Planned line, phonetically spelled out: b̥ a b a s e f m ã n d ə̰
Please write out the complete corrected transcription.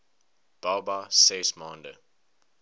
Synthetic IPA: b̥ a b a s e s m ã n d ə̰